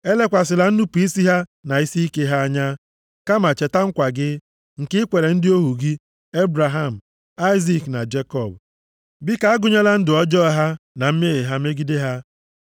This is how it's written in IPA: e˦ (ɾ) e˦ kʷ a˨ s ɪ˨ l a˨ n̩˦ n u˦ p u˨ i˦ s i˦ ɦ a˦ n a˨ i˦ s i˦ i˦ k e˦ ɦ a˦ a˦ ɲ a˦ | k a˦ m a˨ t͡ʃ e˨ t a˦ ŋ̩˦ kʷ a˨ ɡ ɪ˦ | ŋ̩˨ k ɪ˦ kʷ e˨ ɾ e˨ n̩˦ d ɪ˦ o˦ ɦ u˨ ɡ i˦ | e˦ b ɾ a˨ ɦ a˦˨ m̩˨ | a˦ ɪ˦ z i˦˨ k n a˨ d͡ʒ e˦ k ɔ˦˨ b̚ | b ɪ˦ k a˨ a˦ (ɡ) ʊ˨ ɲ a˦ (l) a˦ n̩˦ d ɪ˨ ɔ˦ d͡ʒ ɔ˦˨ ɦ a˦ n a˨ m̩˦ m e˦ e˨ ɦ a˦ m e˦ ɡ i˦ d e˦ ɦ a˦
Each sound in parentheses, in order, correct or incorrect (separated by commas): incorrect, correct, correct